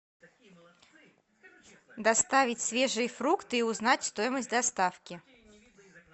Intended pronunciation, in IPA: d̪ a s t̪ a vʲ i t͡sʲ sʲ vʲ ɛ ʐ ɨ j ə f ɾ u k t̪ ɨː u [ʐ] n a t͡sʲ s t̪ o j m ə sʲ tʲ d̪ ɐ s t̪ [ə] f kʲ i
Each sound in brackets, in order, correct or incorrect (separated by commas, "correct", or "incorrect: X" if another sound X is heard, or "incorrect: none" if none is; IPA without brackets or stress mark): incorrect: z, incorrect: a